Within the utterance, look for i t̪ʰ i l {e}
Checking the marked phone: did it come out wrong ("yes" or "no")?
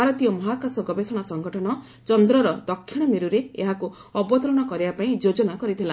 yes